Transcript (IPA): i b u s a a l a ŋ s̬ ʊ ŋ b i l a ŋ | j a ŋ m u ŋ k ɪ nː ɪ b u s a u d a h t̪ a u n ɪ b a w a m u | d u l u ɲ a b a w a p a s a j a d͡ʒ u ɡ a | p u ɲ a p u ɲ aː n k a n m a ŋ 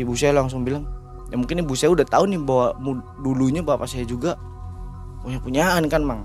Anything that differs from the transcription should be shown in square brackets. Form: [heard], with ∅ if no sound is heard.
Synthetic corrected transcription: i b u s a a l a ŋ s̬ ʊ ŋ b i l a ŋ | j a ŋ m u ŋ k ɪ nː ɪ b u s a u d a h t̪ a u n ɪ b a w a m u | d u l u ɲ a b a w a p a s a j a d͡ʒ u ɡ a | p u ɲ a p u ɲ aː n k a n m a ŋ